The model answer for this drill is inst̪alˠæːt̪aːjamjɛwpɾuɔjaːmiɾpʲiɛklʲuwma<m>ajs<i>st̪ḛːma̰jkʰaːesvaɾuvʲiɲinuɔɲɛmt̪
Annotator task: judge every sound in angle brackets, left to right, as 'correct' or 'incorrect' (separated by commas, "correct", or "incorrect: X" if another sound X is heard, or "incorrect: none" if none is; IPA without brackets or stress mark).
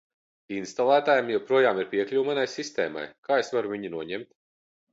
incorrect: n, correct